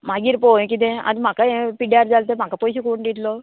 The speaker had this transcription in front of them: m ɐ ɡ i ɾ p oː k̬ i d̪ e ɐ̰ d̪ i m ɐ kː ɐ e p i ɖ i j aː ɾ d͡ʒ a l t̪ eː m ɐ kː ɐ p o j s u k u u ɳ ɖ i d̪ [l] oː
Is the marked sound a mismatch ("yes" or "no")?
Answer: no